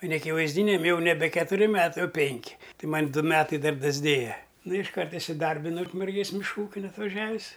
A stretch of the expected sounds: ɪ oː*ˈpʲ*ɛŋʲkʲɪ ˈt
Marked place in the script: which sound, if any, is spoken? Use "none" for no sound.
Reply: pʲ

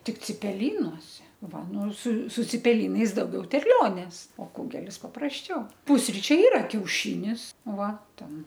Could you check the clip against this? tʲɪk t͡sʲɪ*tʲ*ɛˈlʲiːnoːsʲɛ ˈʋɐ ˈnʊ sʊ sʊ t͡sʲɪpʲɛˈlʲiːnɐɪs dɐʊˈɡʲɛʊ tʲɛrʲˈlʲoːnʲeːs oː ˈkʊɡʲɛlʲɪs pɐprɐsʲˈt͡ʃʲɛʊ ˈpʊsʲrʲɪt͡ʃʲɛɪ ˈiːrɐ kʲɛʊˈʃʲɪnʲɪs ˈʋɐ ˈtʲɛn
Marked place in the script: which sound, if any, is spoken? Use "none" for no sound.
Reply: pʲ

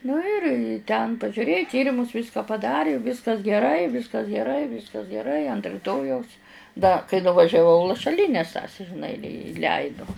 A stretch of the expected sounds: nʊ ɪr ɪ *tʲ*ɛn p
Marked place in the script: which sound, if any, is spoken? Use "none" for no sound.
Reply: tʲ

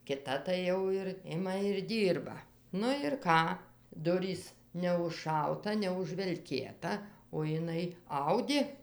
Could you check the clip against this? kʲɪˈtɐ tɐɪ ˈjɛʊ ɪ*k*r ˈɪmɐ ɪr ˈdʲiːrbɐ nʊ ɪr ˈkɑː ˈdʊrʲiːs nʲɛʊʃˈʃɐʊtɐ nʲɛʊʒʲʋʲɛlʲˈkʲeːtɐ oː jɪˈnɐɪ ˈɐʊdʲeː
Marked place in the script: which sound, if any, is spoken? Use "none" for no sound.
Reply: none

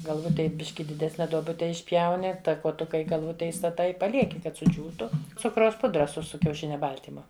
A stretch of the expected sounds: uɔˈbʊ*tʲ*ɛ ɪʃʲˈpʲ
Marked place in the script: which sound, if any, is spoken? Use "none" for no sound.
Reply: tʲ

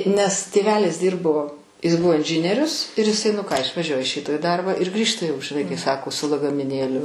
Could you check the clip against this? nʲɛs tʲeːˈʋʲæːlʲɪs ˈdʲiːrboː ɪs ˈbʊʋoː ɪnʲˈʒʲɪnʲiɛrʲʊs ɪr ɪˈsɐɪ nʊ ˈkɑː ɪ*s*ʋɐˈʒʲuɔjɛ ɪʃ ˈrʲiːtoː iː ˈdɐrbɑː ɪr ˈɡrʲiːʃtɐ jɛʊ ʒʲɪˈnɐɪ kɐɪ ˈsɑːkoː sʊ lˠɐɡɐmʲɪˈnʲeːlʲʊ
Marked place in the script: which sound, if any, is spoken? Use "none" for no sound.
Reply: ʃ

